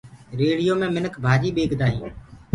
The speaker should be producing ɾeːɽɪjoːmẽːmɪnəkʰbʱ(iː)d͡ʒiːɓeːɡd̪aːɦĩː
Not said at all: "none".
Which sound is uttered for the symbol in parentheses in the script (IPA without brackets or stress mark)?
aː